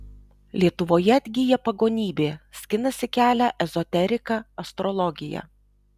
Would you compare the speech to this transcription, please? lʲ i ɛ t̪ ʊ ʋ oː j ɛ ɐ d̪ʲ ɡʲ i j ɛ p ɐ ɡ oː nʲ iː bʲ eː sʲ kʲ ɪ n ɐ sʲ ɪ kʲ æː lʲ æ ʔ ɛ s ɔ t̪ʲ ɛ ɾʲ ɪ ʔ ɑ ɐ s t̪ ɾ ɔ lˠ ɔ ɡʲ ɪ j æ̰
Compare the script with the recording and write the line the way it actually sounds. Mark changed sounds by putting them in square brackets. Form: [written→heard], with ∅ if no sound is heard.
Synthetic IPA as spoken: lʲ i ɛ t̪ ʊ ʋ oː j ɛ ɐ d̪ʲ ɡʲ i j ɛ p ɐ ɡ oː nʲ iː bʲ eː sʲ kʲ ɪ n ɐ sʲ ɪ kʲ æː lʲ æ ʔ ɛ [s→z] ɔ t̪ʲ ɛ ɾʲ ɪ [ʔ→k] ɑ ɐ s t̪ ɾ ɔ lˠ ɔ ɡʲ ɪ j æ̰